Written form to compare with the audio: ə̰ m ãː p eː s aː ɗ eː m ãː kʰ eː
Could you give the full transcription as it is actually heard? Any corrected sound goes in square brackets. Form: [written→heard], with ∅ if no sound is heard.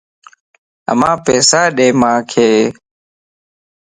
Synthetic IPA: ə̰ m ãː p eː s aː ɗ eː m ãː kʰ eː